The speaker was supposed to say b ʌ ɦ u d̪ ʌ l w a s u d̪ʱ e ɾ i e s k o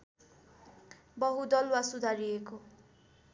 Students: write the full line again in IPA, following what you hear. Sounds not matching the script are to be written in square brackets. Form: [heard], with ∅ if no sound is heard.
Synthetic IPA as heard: b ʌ ɦ u d̪ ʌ l w a s u d̪ʱ [a] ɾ i e [∅] k o